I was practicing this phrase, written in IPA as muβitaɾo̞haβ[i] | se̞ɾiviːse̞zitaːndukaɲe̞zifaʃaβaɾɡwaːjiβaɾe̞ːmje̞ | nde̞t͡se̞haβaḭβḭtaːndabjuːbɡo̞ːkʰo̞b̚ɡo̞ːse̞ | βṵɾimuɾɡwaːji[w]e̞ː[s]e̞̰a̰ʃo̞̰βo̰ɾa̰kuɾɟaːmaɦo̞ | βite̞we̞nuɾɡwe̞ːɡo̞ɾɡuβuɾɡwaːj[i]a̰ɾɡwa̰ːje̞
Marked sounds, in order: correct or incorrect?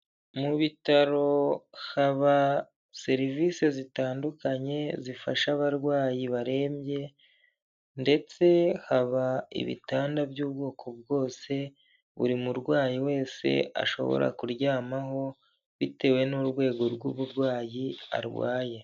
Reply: incorrect: a, correct, correct, correct

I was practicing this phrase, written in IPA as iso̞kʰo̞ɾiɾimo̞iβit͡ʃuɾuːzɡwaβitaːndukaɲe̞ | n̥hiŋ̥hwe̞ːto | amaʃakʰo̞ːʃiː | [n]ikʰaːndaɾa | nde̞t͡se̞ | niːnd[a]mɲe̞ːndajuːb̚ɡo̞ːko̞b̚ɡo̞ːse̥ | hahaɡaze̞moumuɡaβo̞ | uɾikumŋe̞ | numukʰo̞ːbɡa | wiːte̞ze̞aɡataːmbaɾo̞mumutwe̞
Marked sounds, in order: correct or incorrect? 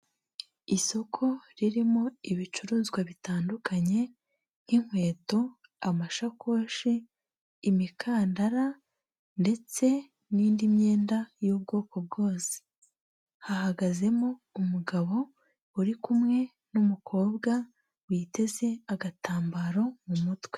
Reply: incorrect: m, incorrect: i

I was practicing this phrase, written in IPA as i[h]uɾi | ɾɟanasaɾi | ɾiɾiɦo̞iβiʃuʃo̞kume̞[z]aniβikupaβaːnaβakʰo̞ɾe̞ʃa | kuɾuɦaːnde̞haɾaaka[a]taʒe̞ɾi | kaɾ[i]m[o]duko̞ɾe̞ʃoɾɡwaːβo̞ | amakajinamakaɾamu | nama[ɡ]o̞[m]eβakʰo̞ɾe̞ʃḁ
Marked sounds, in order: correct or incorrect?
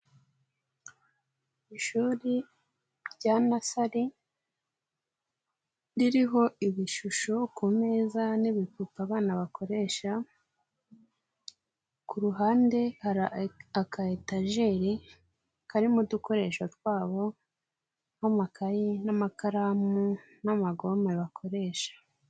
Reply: incorrect: ʃ, correct, incorrect: e, correct, incorrect: u, correct, correct

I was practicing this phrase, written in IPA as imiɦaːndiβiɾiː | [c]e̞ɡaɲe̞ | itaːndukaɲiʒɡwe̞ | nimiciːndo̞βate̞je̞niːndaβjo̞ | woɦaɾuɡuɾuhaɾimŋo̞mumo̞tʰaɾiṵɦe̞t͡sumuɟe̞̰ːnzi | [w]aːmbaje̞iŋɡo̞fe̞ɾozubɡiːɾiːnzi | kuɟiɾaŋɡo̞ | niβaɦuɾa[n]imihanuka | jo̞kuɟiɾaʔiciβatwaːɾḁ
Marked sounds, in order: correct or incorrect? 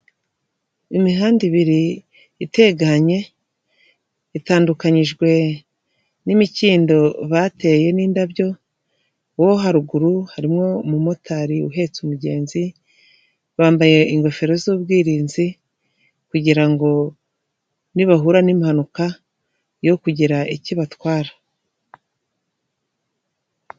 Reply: incorrect: t, incorrect: β, correct

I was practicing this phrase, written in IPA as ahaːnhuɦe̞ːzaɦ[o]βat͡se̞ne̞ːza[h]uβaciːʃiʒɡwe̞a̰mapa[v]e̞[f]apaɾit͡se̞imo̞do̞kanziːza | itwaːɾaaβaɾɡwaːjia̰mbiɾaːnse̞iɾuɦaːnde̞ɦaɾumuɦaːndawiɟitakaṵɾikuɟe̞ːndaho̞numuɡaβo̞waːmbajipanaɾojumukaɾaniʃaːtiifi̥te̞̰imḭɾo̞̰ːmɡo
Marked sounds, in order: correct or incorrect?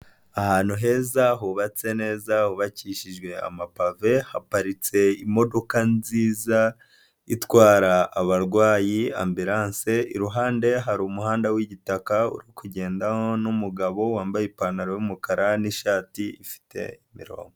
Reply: incorrect: u, correct, correct, incorrect: h

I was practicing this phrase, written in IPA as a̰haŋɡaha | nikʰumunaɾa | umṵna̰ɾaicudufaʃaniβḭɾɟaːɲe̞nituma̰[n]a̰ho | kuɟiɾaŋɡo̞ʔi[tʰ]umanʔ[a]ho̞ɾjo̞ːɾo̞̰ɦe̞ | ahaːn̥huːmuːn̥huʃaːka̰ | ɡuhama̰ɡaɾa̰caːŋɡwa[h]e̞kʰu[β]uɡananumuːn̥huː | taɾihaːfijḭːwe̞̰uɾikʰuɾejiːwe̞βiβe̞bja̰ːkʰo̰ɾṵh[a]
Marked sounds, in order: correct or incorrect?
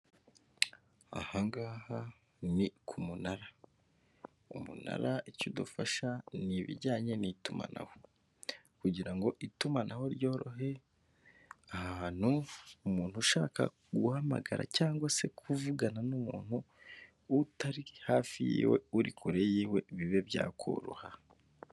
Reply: correct, incorrect: t, correct, incorrect: s, incorrect: v, correct

